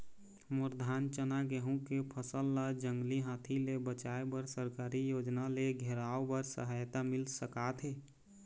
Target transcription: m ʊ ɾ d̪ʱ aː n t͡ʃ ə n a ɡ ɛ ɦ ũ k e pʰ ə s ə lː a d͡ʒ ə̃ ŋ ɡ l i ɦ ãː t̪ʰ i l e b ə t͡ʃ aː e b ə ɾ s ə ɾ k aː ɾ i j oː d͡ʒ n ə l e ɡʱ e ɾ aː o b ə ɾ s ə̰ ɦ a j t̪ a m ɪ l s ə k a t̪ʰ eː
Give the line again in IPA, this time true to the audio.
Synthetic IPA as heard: m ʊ ɾ d̪ʱ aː n t͡ʃ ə n a ɡ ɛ ɦ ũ k e pʰ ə s ə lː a d͡ʒ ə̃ ŋ ɡ l i ɦ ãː t̪ʰ i l e b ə t͡ʃ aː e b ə ɾ s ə ɾ k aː ɾ i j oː d͡ʒ n a l e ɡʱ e ɾ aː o b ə ɾ s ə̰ ɦ a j t̪ a m ɪ l s ə k a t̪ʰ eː